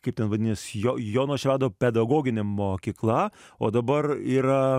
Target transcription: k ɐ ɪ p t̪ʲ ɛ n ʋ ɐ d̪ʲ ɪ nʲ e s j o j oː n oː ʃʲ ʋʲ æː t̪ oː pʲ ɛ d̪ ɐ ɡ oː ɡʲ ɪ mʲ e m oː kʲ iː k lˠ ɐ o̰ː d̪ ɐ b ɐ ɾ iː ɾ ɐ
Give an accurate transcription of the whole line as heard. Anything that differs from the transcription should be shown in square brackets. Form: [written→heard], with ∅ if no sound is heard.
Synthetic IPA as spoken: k ɐ ɪ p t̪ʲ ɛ n ʋ ɐ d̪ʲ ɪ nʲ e s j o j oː n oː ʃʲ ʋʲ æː [t̪→d̪] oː pʲ ɛ d̪ ɐ ɡ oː ɡʲ ɪ [mʲ→nʲ] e m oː kʲ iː k lˠ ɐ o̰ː d̪ ɐ b ɐ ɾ iː ɾ ɐ